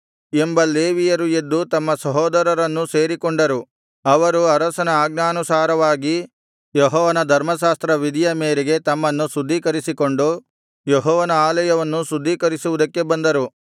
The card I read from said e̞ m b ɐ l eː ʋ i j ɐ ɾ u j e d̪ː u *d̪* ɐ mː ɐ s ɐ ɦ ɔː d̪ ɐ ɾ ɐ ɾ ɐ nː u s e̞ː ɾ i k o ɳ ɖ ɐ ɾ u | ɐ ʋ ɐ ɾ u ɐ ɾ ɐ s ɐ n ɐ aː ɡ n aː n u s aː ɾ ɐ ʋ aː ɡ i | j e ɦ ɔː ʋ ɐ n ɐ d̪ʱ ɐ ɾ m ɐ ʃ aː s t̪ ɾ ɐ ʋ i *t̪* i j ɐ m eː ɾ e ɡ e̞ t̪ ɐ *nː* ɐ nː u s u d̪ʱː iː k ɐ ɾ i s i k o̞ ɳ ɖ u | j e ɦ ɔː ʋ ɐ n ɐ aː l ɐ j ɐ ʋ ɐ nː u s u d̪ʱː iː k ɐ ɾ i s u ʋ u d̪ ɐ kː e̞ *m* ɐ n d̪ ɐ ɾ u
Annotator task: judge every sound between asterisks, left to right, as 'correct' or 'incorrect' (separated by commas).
incorrect, incorrect, incorrect, incorrect